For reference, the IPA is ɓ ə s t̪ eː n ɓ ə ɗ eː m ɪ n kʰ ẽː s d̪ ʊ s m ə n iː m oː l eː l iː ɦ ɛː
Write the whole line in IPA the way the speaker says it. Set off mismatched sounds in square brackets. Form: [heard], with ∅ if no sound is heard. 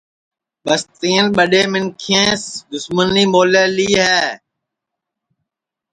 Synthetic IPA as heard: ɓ ə s t̪ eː n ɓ ə ɗ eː m ɪ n kʰ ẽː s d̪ ʊ s m ə n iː m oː l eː l iː ɦ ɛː